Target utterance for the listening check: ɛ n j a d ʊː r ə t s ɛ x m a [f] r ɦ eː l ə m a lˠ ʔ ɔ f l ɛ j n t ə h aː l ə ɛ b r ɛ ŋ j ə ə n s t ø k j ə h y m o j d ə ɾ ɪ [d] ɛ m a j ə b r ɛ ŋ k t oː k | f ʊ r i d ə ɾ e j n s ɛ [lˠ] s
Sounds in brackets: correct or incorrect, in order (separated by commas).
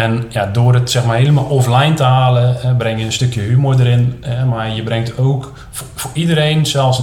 incorrect, incorrect, correct